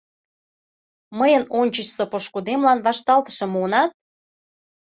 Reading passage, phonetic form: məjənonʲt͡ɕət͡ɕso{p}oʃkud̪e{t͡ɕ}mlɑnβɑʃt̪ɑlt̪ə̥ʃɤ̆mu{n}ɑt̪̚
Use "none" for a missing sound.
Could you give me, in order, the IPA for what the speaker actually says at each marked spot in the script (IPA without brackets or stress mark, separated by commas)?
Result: p, none, n